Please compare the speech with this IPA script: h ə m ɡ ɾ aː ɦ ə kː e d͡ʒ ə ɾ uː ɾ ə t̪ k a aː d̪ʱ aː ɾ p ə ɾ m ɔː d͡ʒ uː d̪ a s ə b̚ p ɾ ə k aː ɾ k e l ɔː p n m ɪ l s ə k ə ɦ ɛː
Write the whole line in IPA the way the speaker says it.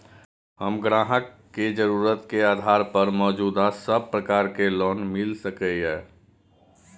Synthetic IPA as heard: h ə m ɡ ɾ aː ɦ ə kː e d͡ʒ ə ɾ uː ɾ ə t̪ k e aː d̪ʱ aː ɾ p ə ɾ m ɔː d͡ʒ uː d̪ a s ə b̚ p ɾ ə k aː ɾ k e l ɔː n m ɪ l s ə k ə ɦ ɛː